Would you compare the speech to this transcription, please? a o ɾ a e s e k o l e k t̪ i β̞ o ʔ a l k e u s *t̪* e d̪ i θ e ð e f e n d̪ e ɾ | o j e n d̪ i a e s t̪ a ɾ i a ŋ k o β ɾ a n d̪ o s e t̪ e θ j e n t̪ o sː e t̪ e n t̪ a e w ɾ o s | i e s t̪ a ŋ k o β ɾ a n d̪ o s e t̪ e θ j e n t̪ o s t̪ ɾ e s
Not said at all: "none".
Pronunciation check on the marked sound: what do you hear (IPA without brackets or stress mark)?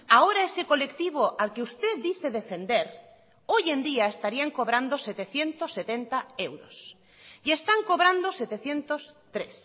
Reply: t̪